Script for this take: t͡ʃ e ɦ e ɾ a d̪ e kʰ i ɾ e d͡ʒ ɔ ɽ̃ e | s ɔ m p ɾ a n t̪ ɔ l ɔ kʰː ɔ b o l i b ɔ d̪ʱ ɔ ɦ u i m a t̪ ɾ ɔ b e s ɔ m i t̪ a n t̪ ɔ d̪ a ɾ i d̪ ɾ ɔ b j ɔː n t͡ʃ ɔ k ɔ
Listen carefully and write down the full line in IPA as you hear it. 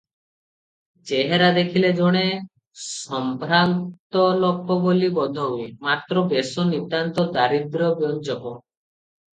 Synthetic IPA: t͡ʃ e ɦ e ɾ a d̪ e kʰ i l e d͡ʒ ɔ ɽ̃ e | s ɔ m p ɾ a n t̪ ɔ l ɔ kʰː ɔ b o l i b ɔ d̪ʱ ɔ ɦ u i m a t̪ ɾ ɔ b e s ɔ n i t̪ a n t̪ ɔ d̪ a ɾ i d̪ ɾ ɔ b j ɔ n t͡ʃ ɔ k ɔ